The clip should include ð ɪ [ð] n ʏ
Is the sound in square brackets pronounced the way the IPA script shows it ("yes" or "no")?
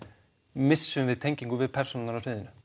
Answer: no